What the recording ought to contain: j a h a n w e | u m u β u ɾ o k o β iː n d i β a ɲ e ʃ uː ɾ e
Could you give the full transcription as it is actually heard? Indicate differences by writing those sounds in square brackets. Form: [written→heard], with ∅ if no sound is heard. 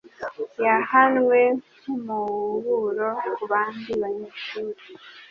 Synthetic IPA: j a h a n w e | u m u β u ɾ o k [o→u] β [iː→aː] n d i β a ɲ e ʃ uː ɾ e